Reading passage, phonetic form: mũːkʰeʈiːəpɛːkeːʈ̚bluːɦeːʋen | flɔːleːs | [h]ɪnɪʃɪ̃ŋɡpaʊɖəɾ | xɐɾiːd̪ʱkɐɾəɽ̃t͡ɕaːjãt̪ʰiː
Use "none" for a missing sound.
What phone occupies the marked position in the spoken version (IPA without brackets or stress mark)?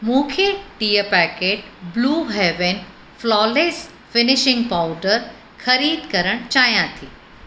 f